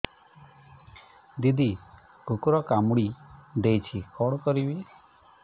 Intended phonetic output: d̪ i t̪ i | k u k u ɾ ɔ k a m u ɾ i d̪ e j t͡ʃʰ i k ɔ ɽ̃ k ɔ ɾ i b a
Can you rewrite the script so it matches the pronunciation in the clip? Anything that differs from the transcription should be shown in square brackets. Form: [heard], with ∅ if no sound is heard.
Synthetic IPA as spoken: d̪ i [d̪] i | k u k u ɾ ɔ k a m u [ɽ] i d̪ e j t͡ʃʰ i k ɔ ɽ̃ k ɔ ɾ i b [i]